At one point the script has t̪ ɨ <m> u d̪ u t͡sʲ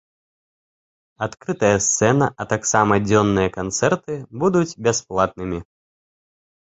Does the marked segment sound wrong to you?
yes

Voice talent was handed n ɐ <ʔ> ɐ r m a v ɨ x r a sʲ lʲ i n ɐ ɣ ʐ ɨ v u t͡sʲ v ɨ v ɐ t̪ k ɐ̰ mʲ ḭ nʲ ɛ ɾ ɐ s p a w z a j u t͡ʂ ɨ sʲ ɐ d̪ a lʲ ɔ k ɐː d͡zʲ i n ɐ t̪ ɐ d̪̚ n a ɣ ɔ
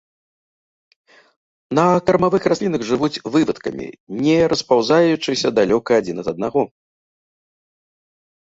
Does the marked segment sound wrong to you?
yes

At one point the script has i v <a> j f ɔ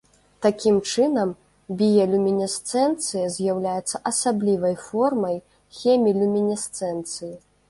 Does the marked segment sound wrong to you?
yes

